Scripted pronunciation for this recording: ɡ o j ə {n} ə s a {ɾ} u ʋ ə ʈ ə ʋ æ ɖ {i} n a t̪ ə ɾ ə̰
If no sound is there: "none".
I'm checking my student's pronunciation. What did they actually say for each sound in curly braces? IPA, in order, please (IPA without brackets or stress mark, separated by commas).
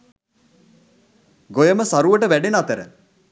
m, ɾ, e